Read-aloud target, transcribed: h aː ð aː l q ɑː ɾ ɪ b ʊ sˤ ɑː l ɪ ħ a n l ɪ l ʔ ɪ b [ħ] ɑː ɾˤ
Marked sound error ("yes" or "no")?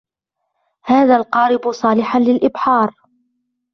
no